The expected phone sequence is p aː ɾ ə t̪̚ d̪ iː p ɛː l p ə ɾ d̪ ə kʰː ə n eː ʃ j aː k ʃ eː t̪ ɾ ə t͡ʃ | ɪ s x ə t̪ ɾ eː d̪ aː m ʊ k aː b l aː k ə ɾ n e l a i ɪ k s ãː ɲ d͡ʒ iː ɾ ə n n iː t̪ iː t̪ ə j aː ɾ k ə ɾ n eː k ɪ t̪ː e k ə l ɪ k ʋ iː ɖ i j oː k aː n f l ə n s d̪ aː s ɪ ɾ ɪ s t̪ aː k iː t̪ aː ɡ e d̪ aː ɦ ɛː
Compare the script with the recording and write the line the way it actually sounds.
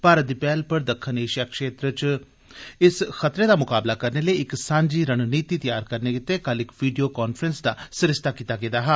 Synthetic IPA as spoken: p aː ɾ ə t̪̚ d̪ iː p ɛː l p ə ɾ d̪ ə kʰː ə n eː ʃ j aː k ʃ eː t̪ ɾ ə t͡ʃ | ɪ s x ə t̪ ɾ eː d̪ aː m ʊ k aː b l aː k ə ɾ n e l ə i ɪ k s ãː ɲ d͡ʒ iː ɾ ə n n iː t̪ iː t̪ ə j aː ɾ k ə ɾ n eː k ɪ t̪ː e k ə l ɪ k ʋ iː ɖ i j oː k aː n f ɾ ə n s d̪ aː s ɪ ɾ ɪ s t̪ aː k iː t̪ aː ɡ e d̪ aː ɦ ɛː